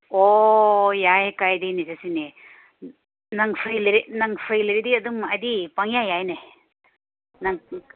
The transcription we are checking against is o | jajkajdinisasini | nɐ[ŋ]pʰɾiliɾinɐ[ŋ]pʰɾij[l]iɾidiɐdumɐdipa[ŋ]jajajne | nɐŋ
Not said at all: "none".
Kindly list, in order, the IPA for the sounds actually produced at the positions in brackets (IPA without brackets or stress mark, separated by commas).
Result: ŋ, ŋ, l, ŋ